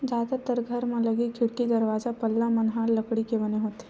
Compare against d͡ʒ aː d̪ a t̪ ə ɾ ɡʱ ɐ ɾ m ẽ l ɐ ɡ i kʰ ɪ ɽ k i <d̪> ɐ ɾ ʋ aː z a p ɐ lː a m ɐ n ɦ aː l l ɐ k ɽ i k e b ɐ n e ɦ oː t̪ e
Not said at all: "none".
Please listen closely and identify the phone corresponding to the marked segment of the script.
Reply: d̪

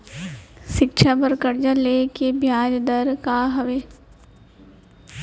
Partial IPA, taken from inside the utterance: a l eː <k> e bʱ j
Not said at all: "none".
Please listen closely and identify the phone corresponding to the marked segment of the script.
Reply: k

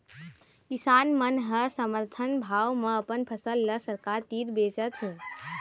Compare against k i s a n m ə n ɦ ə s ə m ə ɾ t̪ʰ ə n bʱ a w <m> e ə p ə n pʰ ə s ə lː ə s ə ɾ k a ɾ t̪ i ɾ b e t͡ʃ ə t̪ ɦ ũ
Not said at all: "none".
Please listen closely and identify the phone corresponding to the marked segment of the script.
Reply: m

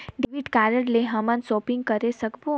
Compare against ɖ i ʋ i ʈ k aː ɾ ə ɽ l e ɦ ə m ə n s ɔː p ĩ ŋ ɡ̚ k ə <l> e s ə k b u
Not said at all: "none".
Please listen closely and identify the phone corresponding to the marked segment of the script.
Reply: ɾ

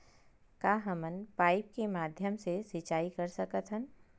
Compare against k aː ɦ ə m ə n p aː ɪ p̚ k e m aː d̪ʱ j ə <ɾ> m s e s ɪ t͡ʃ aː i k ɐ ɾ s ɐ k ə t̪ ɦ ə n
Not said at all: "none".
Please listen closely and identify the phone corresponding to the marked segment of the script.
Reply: none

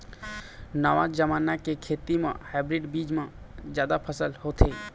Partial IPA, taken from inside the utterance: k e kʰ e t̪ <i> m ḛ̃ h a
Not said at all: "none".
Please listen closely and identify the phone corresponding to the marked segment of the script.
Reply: i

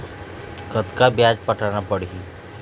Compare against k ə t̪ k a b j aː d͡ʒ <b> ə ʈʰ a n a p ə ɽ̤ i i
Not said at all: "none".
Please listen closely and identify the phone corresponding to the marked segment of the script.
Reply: p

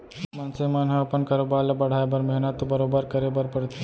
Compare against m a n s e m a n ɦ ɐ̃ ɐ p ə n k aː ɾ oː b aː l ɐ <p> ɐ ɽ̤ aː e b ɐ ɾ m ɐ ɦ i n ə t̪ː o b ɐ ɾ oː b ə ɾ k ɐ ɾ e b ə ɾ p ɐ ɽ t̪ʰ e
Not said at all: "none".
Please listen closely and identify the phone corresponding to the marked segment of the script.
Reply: b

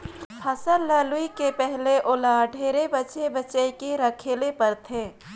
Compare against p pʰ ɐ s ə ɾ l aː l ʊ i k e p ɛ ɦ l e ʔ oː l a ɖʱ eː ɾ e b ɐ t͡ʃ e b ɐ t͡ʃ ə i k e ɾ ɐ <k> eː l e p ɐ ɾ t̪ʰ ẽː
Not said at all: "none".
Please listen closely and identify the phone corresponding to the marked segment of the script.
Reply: kʰ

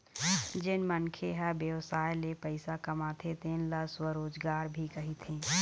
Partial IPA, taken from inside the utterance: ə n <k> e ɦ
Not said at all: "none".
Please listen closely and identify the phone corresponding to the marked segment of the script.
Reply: kʰ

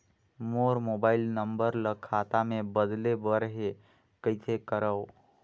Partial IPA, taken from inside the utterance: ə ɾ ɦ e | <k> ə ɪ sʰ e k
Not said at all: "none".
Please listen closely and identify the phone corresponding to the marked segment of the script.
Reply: k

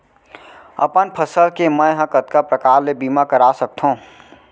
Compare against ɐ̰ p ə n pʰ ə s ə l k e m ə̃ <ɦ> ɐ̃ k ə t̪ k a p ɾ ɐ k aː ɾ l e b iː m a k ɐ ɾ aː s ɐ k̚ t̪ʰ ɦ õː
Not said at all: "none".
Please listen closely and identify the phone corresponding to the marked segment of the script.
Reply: ɦ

